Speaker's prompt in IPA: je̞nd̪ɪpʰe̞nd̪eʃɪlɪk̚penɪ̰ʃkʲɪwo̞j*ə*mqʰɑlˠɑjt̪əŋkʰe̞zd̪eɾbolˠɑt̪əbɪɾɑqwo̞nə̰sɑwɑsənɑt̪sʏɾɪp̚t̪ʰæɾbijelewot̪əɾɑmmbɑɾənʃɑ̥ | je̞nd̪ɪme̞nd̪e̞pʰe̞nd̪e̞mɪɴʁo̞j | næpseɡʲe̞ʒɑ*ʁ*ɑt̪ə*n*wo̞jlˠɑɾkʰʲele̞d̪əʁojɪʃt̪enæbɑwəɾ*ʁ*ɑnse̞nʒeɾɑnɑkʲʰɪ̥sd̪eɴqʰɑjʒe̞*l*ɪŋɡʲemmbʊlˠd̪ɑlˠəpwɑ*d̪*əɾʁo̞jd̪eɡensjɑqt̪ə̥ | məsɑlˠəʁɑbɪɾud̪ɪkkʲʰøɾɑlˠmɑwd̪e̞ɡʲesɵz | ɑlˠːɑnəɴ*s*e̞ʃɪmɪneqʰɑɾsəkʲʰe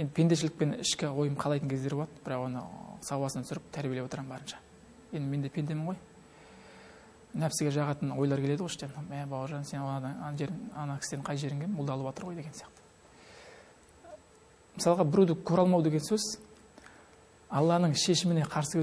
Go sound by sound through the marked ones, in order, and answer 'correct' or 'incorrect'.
correct, correct, correct, incorrect: ʒ, incorrect: ɾ, incorrect: t̪, incorrect: ʃ

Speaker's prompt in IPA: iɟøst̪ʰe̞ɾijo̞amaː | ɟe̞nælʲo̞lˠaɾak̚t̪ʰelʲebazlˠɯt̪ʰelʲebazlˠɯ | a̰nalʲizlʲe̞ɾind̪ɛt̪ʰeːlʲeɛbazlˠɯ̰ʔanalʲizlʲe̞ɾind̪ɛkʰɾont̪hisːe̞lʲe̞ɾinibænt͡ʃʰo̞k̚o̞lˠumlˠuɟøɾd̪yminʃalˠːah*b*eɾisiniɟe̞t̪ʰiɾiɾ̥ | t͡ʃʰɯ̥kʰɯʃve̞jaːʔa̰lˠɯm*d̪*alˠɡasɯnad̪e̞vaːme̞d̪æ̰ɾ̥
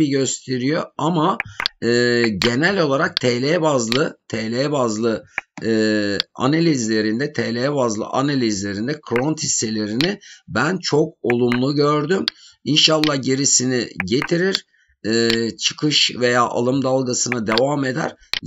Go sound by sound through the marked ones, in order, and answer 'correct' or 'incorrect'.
incorrect: ɟ, correct

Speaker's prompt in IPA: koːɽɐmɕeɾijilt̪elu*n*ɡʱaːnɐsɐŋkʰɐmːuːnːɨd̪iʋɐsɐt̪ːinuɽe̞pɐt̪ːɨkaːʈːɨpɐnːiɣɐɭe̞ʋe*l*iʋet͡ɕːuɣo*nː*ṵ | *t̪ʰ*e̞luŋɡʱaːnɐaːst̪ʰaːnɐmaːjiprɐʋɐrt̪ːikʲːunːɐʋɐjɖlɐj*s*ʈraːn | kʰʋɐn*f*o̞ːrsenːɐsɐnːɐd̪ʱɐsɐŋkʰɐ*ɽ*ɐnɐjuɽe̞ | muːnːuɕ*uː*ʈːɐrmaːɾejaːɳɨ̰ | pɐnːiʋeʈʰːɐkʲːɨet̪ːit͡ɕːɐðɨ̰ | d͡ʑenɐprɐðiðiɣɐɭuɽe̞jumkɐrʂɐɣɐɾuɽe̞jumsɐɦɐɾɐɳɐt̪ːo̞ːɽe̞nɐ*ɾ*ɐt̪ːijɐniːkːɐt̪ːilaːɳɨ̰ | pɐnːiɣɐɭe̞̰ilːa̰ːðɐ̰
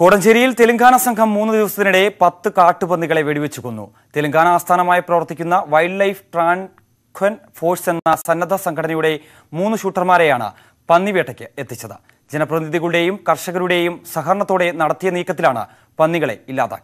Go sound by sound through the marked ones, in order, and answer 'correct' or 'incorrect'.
incorrect: ŋ, incorrect: ɽ, correct, incorrect: t̪, incorrect: f, correct, correct, correct, incorrect: ɽ

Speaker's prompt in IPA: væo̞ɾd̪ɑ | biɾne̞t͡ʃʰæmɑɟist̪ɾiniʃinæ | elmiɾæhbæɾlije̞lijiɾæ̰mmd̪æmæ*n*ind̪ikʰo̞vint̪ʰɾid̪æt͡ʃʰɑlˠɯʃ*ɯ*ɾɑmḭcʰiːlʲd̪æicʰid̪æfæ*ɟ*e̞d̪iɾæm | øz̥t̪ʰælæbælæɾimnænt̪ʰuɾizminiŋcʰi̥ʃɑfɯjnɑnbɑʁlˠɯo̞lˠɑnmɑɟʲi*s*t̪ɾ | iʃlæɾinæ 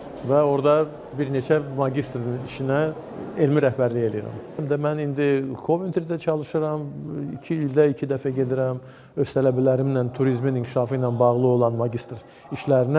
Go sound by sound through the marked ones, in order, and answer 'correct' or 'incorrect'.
correct, correct, correct, correct

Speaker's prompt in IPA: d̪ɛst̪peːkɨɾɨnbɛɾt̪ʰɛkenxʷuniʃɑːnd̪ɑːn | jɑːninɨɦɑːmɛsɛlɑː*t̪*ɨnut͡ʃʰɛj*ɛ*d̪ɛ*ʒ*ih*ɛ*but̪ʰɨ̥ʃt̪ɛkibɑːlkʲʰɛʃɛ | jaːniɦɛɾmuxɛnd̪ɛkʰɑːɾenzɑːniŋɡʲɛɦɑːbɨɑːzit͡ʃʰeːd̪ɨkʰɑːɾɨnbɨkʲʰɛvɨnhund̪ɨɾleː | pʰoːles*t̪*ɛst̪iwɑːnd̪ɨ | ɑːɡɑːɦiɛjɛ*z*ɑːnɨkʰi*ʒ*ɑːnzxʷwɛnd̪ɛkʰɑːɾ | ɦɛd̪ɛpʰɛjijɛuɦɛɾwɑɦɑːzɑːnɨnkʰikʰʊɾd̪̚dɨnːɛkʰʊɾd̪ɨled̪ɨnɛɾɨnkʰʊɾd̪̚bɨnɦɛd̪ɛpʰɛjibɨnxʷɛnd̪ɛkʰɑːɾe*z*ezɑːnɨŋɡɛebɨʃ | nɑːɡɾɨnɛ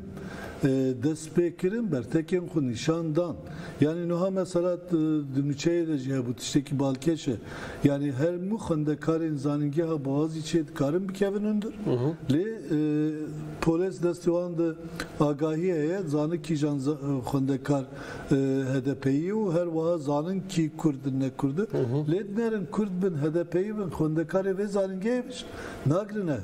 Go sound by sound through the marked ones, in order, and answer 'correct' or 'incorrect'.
incorrect: d̪, incorrect: e, correct, correct, incorrect: d̪, correct, correct, incorrect: v

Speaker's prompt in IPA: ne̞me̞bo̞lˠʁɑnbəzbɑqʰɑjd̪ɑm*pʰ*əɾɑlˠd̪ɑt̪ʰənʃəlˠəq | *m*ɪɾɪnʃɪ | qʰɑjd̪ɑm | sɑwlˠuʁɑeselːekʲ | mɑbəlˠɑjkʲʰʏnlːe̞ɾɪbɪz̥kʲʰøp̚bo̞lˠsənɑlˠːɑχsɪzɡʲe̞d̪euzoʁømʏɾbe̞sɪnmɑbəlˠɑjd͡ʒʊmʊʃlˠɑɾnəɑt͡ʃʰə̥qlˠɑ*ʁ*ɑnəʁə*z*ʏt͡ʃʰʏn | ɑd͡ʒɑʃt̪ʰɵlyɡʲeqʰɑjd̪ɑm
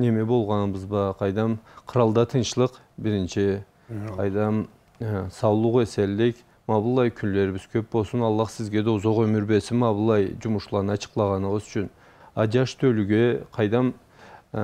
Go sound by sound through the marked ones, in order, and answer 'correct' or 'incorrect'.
incorrect: qʰ, incorrect: b, correct, correct

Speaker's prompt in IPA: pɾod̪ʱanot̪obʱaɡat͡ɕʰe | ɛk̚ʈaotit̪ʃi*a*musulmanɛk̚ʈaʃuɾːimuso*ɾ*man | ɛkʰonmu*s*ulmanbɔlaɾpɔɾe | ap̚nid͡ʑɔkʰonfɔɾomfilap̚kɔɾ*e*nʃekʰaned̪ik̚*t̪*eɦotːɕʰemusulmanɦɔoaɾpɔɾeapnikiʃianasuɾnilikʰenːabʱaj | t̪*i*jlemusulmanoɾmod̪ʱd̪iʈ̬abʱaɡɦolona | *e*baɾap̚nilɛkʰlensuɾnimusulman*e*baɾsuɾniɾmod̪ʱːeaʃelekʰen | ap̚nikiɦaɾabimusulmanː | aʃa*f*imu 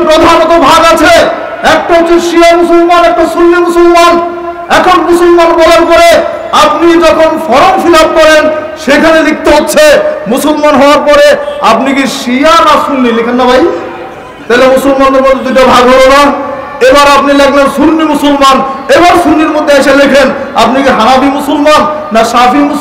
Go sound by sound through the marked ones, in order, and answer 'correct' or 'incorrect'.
correct, incorrect: l, correct, correct, correct, incorrect: a, correct, correct, correct

